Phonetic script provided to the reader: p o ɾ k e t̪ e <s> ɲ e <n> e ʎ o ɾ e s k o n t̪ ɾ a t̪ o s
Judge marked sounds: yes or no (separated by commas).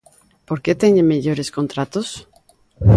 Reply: no, no